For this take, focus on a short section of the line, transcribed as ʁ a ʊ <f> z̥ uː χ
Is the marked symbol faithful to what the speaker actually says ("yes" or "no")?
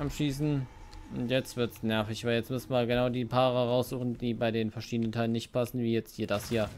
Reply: no